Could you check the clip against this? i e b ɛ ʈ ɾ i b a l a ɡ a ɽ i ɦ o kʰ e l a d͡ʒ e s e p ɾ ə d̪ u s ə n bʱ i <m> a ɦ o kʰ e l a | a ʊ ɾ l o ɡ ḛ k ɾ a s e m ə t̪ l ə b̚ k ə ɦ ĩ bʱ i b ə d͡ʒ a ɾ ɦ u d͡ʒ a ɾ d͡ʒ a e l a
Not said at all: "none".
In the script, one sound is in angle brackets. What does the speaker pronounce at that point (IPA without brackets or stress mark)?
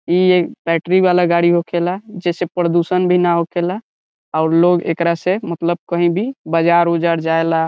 n